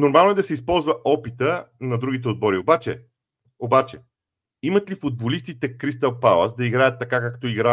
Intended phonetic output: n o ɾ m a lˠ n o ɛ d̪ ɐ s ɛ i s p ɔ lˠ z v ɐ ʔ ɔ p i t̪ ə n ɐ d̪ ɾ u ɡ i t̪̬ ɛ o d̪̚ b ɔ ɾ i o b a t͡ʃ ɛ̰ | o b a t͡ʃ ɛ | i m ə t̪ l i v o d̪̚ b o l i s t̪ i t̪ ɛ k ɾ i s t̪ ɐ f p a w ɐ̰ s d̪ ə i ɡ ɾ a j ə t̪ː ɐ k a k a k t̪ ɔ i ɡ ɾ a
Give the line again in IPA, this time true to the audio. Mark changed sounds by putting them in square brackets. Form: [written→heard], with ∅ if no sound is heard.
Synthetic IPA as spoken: n o ɾ m a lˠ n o ɛ d̪ ɐ s ɛ i s p ɔ lˠ z v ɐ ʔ ɔ p i t̪ ə n ɐ d̪ ɾ u ɡ i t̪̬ ɛ o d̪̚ b ɔ ɾ i o b a t͡ʃ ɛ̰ | o b a t͡ʃ ɛ | i m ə t̪ l i [v→f] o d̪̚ b o l i s t̪ i t̪ ɛ k ɾ i s t̪ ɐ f p a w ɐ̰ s d̪ [ə→ɐ] i ɡ ɾ a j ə t̪ː ɐ k a k a k t̪ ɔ i ɡ ɾ a